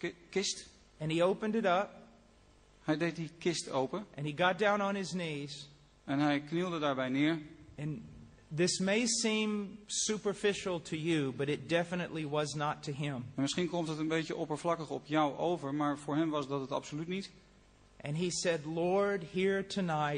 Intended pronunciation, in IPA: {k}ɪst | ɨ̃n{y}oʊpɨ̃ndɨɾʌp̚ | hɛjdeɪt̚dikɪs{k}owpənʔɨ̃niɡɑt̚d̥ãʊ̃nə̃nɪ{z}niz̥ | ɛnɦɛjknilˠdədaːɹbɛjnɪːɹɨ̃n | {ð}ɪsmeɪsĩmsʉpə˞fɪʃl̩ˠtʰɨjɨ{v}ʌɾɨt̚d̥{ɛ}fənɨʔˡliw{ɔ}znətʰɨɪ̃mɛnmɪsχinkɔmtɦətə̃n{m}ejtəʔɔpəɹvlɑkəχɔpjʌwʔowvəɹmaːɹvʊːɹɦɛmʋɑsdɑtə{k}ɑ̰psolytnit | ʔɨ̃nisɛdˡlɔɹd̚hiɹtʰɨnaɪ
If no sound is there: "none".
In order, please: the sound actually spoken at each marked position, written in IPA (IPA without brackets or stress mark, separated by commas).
k, i, t, z, ð, b, ɛ, ʌ, b, t